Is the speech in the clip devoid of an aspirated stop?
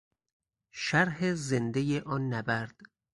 yes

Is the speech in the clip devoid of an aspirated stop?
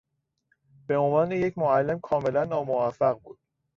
no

